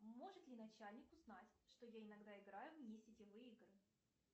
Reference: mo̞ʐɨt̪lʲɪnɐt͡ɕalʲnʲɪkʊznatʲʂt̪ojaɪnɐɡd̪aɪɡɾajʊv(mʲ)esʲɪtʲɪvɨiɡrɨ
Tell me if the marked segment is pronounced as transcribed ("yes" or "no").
no